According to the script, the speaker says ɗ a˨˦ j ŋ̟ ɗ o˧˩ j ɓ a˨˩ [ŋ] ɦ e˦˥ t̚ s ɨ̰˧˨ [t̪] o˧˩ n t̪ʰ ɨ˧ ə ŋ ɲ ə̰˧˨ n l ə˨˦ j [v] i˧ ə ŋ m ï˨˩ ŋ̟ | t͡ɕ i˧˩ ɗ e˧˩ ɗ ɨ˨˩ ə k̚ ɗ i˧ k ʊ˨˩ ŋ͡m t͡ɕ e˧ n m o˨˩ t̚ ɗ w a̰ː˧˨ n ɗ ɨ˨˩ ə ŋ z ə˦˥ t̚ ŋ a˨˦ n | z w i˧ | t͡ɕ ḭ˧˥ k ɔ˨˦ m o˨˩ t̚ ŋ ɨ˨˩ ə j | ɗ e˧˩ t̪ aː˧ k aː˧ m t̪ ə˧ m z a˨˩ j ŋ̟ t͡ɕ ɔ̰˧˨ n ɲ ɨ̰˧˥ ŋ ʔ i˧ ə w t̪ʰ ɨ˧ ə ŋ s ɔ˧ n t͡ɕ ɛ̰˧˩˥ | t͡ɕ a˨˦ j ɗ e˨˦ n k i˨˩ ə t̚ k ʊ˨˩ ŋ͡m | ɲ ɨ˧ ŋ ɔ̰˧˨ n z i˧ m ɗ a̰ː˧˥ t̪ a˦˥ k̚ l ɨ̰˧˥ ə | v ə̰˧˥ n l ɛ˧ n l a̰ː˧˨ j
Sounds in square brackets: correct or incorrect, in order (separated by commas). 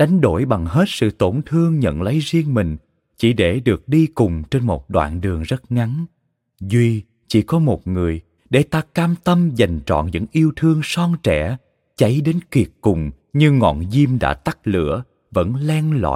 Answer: correct, correct, incorrect